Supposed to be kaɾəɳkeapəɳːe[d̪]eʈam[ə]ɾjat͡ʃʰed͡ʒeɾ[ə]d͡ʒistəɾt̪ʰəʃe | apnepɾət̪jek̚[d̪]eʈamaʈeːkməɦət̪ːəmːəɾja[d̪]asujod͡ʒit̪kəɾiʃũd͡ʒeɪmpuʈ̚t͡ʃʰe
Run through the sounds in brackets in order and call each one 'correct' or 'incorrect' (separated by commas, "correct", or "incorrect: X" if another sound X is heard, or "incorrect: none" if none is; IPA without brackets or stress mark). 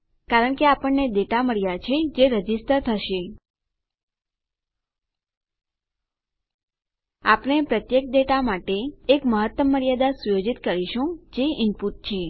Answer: correct, correct, correct, correct, correct